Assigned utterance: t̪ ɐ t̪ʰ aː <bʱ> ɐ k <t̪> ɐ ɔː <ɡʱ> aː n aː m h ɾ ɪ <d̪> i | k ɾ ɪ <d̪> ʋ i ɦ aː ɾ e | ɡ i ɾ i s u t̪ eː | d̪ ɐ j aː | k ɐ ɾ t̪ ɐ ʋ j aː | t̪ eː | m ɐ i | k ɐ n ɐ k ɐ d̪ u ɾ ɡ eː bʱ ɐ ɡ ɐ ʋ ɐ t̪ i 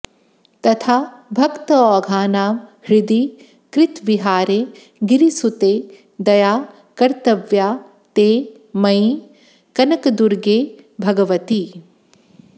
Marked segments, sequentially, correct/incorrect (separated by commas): correct, correct, correct, correct, incorrect